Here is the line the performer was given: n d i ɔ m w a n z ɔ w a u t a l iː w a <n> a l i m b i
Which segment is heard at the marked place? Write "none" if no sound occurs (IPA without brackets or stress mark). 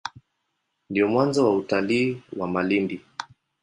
m